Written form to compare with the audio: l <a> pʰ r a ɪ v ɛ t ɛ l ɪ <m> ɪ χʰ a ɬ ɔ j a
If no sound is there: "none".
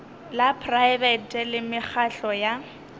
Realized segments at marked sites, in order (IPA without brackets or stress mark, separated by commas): a, m